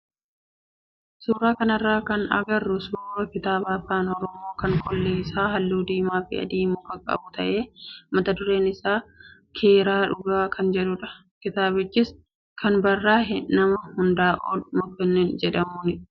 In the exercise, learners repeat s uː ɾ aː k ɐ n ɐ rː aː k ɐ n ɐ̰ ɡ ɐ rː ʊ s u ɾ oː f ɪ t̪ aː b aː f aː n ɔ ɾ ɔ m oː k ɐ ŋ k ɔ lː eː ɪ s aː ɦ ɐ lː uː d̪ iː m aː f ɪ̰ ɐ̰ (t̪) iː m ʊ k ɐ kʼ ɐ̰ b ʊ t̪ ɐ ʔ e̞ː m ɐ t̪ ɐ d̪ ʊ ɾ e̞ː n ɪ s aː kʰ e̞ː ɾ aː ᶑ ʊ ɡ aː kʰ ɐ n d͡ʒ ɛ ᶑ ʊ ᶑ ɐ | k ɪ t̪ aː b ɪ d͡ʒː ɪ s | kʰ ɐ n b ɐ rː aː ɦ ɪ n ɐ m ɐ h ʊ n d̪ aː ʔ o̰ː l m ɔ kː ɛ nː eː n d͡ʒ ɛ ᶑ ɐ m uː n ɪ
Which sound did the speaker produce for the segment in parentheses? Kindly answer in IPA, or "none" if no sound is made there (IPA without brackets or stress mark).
d̪